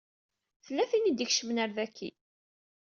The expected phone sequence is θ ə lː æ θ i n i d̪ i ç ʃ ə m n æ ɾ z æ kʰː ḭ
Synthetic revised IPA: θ ə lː æ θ i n i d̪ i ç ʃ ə m n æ ɾ ð æ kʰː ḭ